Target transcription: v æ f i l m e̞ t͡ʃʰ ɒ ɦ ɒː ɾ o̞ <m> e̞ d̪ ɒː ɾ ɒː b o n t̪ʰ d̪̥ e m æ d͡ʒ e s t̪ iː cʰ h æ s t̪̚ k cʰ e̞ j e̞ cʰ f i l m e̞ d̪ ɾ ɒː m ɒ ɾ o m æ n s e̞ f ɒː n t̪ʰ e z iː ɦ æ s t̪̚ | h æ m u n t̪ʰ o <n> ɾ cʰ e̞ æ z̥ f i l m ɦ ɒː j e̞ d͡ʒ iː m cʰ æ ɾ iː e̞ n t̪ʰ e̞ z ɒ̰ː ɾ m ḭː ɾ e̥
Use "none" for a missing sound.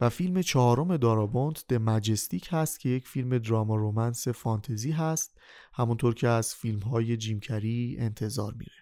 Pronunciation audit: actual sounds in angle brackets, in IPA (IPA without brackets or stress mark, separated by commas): m, none